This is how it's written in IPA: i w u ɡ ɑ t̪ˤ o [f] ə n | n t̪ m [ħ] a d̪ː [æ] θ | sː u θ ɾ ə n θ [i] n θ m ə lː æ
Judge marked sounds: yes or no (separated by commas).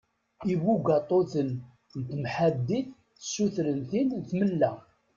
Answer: no, yes, no, yes